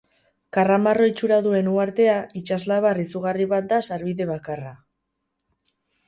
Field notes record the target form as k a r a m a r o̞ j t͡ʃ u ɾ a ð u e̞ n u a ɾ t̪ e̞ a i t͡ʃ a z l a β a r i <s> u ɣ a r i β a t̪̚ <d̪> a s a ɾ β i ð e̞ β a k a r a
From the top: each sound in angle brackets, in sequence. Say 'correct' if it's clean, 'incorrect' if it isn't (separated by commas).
correct, correct